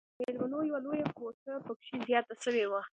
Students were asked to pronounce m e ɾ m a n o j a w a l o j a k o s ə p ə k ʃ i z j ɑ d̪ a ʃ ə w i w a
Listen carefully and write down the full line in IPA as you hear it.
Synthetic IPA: m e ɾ m a n o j a w a l o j a k o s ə p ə k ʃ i z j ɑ t̪ a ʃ ə w e w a